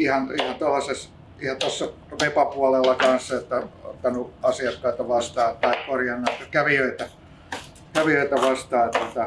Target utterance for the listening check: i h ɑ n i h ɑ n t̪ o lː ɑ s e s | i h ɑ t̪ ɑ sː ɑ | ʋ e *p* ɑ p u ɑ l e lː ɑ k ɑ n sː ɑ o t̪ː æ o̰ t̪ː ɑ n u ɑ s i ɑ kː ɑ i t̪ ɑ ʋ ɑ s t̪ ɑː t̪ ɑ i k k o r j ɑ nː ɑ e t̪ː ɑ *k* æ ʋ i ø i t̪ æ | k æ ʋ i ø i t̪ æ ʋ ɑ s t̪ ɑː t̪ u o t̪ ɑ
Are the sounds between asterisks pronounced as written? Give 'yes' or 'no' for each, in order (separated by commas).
yes, yes